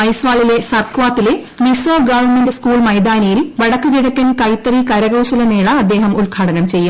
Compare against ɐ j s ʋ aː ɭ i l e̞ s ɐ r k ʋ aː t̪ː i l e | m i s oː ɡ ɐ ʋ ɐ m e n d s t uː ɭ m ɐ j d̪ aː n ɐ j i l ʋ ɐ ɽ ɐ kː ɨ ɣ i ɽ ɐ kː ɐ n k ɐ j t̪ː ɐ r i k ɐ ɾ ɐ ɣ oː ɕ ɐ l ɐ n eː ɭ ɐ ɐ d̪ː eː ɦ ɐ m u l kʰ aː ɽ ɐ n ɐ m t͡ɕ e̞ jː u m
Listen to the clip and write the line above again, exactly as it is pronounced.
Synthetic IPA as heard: ɐ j s ʋ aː ɭ i l e̞ s ɐ r k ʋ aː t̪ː i l e | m i s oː ɡ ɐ ʋ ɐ m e n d s k uː ɭ m ɐ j d̪ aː n ɐ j i l ʋ ɐ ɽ ɐ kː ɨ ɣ i ɽ ɐ kː ɐ n k ɐ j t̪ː ɐ r i k ɐ ɾ ɐ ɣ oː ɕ ɐ l ɐ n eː ɭ ɐ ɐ d̪ː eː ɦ ɐ m u l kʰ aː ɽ ɐ n ɐ m t͡ɕ e̞ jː u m